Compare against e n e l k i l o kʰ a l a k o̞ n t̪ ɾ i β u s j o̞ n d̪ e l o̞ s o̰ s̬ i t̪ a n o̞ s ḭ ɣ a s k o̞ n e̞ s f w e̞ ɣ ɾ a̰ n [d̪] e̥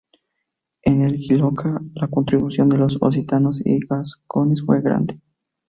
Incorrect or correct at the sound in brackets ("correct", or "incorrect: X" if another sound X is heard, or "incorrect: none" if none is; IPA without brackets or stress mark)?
correct